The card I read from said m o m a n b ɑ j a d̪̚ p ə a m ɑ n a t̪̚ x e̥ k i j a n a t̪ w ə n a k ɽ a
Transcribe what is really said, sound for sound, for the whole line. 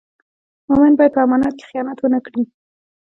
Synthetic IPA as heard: m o m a n b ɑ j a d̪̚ p ə a m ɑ n ɑ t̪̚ k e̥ x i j ɑ n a t̪ w ə n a k ɽ i